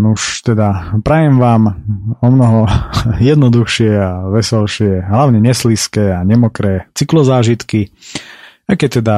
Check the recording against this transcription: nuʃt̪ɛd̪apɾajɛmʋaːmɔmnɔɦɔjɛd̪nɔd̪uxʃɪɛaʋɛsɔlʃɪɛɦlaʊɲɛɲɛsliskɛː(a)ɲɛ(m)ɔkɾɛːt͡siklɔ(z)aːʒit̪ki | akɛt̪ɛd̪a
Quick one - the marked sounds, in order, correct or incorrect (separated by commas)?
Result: correct, correct, correct